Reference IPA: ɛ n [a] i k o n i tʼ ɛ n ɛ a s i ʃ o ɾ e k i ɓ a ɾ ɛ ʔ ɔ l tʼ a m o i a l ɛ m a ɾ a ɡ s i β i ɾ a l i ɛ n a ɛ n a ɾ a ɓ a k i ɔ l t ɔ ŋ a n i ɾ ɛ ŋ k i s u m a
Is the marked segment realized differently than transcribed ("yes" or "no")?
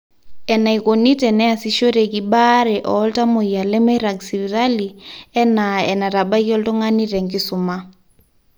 no